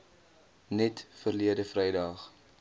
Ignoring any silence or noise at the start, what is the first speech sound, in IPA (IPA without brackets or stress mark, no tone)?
n